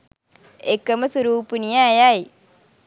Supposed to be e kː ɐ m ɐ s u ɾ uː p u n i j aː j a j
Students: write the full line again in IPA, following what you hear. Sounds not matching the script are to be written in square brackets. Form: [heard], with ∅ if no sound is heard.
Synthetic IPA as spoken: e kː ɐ m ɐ s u ɾ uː p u n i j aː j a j